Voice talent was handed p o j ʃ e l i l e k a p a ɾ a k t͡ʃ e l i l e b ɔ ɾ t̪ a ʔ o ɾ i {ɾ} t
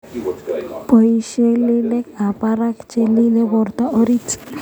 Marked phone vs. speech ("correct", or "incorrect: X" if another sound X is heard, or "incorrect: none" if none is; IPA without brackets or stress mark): incorrect: none